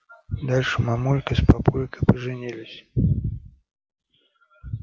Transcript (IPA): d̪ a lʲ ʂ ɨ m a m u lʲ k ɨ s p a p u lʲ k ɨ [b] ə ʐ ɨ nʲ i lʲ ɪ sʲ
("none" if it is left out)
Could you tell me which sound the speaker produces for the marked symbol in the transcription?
p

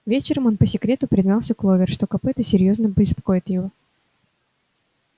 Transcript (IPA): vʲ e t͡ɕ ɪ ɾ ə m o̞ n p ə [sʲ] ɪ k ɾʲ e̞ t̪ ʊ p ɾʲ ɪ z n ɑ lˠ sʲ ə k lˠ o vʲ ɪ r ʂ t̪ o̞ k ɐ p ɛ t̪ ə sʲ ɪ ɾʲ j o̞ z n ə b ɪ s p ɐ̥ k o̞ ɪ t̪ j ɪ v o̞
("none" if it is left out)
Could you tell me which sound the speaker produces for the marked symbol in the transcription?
sʲ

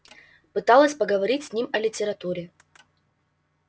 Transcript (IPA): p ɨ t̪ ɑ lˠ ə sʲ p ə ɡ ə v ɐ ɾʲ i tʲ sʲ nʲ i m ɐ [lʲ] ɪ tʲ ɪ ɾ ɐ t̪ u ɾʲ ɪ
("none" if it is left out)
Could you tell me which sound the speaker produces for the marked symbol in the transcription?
lʲ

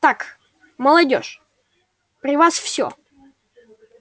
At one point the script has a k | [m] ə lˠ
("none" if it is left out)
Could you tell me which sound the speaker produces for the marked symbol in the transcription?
m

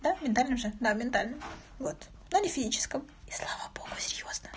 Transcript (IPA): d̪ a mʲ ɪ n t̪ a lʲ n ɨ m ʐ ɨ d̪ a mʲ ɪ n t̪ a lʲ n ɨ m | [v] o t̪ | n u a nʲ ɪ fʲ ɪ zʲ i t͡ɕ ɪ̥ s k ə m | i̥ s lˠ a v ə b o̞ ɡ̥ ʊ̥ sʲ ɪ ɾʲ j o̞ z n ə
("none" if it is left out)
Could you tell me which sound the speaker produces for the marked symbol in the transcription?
v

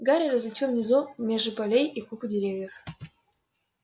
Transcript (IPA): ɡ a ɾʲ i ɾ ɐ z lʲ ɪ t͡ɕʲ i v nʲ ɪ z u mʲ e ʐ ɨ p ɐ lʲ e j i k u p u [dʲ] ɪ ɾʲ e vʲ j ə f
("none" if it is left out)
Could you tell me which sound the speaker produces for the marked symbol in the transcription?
dʲ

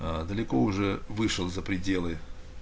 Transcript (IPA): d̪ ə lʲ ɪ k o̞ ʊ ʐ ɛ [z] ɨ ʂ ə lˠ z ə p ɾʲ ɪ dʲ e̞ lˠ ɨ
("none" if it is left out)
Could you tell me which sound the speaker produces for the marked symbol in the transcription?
v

